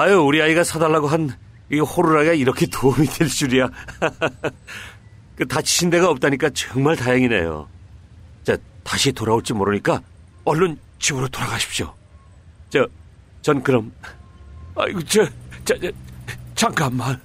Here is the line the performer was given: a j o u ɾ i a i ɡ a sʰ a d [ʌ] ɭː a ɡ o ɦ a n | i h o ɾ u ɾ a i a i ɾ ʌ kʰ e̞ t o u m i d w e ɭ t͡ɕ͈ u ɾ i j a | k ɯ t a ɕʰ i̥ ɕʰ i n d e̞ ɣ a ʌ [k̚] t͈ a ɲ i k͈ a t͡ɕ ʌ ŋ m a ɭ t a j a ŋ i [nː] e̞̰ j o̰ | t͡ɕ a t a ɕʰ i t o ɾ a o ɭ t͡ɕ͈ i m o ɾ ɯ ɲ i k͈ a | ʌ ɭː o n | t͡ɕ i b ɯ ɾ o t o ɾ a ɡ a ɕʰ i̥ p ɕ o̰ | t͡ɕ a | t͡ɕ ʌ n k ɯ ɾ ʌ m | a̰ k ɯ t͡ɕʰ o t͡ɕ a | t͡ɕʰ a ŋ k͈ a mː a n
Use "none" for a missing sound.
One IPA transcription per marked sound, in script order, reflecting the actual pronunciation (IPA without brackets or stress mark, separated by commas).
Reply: a, p̚, n